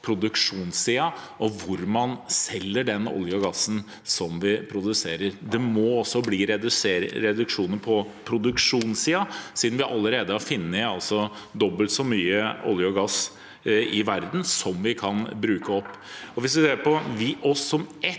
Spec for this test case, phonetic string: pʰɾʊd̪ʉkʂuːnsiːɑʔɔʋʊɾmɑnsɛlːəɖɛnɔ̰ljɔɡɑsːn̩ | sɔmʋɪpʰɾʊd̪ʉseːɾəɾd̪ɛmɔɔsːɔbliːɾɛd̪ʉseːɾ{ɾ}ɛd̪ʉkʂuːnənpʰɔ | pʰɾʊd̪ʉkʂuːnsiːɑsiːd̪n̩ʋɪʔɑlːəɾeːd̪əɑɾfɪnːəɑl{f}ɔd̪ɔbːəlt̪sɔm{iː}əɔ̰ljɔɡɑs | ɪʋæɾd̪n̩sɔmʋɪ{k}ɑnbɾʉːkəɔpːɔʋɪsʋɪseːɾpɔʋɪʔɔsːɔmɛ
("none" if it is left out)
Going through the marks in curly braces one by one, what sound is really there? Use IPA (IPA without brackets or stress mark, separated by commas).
ɾ, s, yː, kʰ